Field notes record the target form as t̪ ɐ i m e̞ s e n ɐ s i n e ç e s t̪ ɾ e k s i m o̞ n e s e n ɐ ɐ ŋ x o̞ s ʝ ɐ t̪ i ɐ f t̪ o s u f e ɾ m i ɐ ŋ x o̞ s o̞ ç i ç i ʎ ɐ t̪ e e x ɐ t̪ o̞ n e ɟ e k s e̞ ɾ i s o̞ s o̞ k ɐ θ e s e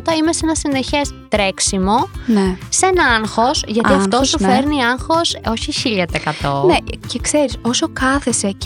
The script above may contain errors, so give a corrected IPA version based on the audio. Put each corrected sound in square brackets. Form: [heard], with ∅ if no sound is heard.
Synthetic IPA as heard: t̪ ɐ i m e̞ s e n ɐ s i n e ç e s t̪ ɾ e k s i m o̞ n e s e n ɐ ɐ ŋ x o̞ s ʝ ɐ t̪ i ɐ f t̪ o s u f e ɾ [n] i ɐ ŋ x o̞ s o̞ ç i ç i ʎ ɐ t̪ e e [k] ɐ t̪ o̞ n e [c] e k s e̞ ɾ i s o̞ s o̞ k ɐ θ e s e